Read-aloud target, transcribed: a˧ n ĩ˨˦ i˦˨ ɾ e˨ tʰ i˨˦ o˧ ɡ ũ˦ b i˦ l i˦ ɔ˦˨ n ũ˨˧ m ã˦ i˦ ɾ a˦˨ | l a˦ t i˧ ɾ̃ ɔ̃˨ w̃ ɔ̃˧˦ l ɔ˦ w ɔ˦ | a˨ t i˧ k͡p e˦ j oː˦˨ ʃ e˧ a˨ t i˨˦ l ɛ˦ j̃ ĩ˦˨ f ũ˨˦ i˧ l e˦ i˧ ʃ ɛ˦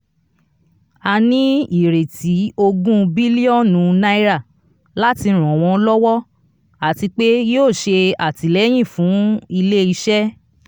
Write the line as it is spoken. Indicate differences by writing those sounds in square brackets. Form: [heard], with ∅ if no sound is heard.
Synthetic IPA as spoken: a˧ n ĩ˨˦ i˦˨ ɾ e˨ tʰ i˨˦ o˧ ɡ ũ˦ b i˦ l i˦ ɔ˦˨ n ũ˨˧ [n] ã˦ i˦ ɾ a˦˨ | l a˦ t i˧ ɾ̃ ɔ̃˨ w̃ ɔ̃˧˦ l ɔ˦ w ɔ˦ | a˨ t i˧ k͡p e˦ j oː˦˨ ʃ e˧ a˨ t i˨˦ l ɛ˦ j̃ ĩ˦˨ f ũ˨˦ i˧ l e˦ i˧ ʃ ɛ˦